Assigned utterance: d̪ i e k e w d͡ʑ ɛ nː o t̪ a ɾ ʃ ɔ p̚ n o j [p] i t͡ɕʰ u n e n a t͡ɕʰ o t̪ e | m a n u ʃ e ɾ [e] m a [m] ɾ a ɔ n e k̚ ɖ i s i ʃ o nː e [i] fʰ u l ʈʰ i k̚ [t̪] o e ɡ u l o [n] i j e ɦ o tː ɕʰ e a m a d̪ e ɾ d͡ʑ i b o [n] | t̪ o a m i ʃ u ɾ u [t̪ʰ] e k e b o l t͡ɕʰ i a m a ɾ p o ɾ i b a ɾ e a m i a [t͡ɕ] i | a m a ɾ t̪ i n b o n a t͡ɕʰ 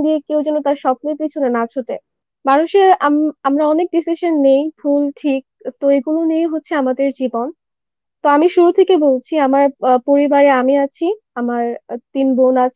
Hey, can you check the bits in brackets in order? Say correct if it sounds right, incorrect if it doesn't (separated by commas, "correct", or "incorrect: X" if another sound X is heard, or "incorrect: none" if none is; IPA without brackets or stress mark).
correct, incorrect: a, correct, incorrect: j, correct, correct, correct, correct, incorrect: t͡ɕʰ